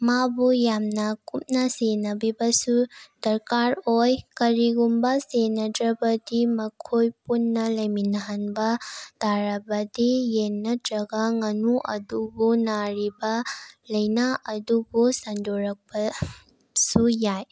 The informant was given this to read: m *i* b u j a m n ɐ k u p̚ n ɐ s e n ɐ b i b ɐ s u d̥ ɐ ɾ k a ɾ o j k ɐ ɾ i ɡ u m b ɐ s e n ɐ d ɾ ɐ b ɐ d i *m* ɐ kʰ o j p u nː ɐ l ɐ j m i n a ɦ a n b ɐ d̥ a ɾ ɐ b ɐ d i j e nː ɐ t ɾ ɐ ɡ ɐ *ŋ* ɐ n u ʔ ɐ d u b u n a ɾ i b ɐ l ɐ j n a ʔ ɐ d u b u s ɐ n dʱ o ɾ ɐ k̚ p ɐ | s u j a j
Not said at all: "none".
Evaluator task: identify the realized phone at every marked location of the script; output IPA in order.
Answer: a, m, ŋ

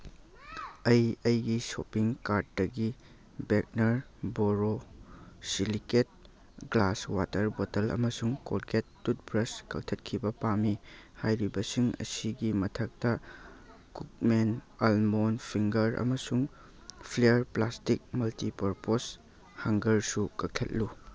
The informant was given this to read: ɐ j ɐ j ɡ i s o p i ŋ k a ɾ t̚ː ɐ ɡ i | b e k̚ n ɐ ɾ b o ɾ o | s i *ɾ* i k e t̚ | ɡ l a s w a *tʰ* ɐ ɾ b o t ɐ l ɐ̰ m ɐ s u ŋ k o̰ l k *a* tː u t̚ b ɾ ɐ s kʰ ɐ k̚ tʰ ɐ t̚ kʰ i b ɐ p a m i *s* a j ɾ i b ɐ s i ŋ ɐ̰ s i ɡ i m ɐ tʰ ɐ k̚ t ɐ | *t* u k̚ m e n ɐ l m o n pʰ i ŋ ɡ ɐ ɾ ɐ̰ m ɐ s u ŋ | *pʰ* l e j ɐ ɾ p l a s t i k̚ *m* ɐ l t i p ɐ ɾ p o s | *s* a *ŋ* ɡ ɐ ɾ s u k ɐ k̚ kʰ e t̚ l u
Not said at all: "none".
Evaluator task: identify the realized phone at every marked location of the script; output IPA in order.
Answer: l, t, e, h, k, pʰ, m, h, ŋ

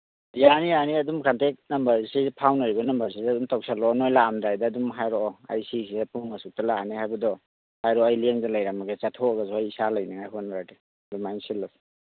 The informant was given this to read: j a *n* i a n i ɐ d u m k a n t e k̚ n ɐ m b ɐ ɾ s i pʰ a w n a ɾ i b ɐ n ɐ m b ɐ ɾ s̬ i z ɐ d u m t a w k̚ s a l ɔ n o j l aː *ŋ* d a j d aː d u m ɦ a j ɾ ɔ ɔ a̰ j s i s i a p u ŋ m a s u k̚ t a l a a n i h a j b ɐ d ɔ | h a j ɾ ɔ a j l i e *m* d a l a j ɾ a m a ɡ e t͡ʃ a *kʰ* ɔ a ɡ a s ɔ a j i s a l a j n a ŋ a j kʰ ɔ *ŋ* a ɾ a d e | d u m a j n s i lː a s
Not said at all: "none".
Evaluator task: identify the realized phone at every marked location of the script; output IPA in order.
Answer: n, m, ŋ, tʰ, n

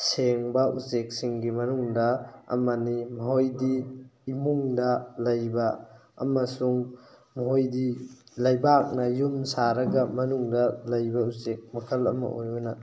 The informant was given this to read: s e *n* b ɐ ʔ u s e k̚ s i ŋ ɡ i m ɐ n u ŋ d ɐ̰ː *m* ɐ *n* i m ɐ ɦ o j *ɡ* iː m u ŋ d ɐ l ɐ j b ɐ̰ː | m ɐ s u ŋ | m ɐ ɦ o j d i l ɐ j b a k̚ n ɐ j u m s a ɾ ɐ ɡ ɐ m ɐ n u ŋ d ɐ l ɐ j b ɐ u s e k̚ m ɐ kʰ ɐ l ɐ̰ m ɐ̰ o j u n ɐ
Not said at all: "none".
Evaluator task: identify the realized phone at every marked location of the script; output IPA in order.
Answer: ŋ, m, n, d

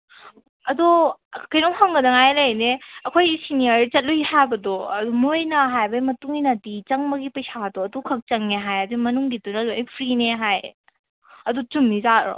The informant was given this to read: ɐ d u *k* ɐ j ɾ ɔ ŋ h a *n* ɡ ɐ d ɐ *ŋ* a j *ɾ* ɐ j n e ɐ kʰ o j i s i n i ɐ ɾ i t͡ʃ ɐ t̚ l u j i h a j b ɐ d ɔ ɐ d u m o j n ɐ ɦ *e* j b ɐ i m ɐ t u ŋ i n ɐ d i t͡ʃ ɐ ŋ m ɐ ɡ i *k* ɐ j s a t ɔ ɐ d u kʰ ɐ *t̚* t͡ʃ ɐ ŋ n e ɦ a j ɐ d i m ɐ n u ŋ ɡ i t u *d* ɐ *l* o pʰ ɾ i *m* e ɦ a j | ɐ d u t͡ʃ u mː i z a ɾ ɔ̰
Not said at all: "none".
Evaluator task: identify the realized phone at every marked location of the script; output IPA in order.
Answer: k, ŋ, ŋ, l, a, p, k̚, n, l, n

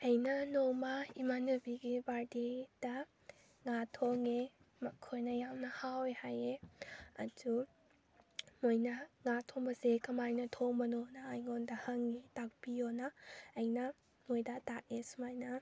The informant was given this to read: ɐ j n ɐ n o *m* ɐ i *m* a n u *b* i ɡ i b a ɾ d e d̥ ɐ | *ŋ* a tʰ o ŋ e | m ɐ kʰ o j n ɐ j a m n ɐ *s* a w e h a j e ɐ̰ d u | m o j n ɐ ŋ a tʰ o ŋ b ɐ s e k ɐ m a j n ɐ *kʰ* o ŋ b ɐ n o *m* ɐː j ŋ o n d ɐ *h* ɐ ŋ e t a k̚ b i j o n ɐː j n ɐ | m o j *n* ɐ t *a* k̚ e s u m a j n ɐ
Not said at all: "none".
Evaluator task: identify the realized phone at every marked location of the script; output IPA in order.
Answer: m, m, b, ŋ, h, tʰ, n, h, d, a

